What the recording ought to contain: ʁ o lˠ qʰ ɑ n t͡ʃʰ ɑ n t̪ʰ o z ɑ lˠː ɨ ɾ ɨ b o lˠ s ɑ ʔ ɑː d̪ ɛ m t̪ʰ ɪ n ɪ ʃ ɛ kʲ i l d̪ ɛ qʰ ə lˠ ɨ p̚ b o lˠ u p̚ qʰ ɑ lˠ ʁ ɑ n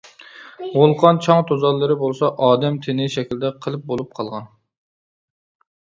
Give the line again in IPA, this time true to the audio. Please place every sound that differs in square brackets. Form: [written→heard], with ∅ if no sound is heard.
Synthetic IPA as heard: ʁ o lˠ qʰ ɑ n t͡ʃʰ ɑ [n→ŋ] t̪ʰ o z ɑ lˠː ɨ ɾ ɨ b o lˠ s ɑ ʔ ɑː d̪ ɛ m t̪ʰ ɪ n ɪ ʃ ɛ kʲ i l d̪ ɛ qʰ ə lˠ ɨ p̚ b o lˠ u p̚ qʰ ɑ lˠ ʁ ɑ n